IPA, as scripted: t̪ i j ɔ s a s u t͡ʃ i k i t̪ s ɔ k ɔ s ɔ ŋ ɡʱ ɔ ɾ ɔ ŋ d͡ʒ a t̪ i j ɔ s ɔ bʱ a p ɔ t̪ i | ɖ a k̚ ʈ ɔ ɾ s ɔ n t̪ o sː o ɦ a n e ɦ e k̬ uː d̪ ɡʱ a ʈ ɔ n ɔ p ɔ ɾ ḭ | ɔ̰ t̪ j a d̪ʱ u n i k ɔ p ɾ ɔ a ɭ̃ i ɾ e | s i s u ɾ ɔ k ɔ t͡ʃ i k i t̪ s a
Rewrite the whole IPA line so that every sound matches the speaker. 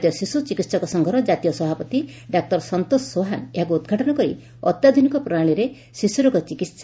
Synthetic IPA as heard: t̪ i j ɔ s i s u t͡ʃ i k i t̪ s ɔ k ɔ s ɔ ŋ ɡʱ ɔ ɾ ɔ d͡ʒ a t̪ i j ɔ s ɔ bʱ a p ɔ t̪ i | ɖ a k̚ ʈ ɔ ɾ s ɔ n t̪ o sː o ɦ a n e ɦ a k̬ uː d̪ ɡʱ a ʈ ɔ n ɔ k ɔ ɾ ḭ | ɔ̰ t̪ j a d̪ʱ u n i k ɔ p ɾ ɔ a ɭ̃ i ɾ e | s i s u ɾ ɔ k ɔ t͡ʃ i k i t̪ s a